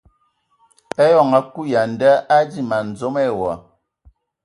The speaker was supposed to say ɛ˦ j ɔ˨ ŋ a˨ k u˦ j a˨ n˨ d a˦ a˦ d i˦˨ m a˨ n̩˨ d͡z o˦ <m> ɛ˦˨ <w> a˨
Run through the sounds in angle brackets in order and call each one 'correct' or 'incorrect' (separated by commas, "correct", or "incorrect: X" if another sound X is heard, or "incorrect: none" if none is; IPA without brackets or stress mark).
correct, correct